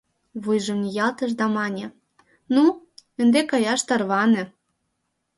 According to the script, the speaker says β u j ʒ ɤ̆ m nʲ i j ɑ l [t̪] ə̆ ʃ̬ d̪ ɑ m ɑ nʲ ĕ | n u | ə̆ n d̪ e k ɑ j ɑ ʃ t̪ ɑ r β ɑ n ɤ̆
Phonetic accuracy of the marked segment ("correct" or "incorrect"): correct